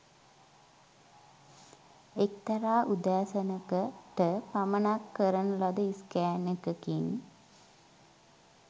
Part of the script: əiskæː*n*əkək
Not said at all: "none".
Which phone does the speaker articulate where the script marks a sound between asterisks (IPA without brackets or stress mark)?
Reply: n